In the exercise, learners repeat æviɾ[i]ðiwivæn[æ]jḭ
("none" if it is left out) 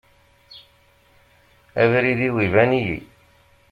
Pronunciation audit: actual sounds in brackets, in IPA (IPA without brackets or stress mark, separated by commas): i, i